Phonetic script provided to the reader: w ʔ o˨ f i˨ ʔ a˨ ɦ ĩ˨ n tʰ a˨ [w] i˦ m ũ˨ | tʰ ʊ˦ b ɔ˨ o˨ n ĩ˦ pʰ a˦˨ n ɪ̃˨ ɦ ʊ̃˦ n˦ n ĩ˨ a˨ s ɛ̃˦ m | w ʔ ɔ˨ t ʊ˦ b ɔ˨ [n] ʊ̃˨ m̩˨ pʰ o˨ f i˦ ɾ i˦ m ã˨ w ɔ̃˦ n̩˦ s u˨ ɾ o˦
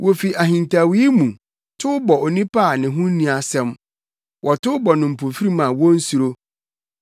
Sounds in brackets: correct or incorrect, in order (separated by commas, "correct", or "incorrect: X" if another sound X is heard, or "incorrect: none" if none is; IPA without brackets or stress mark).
correct, correct